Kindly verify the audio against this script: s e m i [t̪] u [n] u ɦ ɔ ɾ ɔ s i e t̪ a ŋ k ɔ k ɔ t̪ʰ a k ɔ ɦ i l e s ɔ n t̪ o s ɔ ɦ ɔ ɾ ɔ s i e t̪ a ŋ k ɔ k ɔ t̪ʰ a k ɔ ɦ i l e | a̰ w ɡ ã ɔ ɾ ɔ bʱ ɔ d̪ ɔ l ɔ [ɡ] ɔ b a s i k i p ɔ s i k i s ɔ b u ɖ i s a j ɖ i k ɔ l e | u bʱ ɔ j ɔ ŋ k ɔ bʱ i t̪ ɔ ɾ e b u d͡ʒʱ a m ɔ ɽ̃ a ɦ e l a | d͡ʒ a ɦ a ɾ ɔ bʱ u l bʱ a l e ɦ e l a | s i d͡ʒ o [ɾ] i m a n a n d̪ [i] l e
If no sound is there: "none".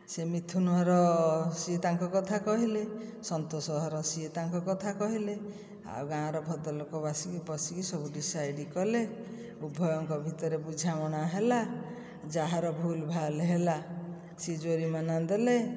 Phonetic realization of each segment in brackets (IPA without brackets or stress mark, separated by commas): t̪ʰ, n, k, ɾ, e